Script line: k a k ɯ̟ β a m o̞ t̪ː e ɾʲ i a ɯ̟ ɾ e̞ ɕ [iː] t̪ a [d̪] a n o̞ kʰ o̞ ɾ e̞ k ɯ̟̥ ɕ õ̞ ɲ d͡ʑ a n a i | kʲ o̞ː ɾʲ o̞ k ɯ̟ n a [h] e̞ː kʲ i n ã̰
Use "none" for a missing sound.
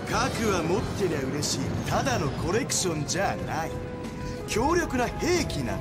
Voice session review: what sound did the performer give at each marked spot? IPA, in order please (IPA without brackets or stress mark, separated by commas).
iː, d̪, h